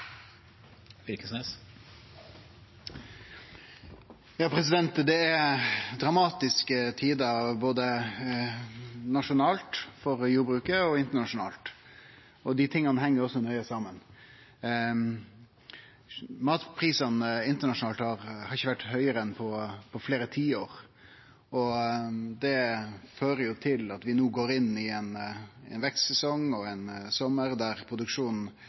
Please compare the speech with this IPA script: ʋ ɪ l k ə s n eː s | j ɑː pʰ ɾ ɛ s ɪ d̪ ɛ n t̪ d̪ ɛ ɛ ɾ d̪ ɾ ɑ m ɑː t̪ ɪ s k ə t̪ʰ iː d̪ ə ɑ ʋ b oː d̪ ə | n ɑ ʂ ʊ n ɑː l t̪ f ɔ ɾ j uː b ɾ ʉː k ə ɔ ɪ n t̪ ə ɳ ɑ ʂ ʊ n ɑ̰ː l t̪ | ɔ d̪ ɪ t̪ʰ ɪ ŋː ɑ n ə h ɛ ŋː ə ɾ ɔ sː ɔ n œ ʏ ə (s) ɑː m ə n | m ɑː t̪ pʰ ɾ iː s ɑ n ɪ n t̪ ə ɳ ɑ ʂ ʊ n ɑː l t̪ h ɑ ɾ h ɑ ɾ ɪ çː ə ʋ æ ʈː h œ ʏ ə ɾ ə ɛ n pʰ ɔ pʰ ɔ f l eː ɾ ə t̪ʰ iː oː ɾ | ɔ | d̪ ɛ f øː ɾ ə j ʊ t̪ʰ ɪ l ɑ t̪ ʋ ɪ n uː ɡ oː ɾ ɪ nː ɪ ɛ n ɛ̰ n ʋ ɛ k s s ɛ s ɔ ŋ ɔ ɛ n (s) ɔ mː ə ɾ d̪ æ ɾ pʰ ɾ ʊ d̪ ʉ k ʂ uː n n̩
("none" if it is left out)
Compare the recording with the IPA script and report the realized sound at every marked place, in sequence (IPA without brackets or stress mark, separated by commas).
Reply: s, s